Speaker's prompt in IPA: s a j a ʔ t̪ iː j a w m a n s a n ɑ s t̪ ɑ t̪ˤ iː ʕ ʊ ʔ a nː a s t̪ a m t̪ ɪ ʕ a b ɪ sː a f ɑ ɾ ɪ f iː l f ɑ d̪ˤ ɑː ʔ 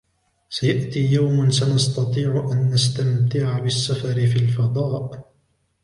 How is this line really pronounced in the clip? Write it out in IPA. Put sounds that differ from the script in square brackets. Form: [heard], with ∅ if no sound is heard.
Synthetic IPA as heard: s a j a ʔ t̪ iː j a w m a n s a n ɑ s t̪ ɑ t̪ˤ iː ʕ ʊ ʔ a nː a s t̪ a m t̪ ɪ ʕ a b ɪ sː a f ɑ ɾ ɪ f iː l f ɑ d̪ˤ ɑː ʔ